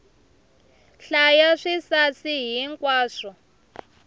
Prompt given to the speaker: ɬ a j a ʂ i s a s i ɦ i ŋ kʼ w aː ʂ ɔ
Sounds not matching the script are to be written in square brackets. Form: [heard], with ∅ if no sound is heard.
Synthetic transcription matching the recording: ɬ a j a ʂ i s a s i ɦ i ŋ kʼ w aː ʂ ɔ